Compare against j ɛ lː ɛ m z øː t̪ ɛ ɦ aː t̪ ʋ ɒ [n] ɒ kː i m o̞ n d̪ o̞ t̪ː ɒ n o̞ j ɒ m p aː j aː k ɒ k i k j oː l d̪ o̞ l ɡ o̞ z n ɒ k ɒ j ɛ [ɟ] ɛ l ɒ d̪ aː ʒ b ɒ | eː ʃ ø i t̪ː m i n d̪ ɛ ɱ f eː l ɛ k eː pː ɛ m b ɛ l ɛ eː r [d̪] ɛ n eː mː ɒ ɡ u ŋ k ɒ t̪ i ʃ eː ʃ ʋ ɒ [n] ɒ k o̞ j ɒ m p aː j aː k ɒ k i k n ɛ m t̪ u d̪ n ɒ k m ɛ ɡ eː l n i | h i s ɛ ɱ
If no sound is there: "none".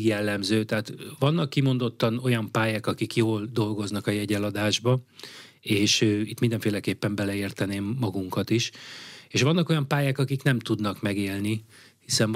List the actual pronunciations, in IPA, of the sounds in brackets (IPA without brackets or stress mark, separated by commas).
nː, ɟ, t̪, nː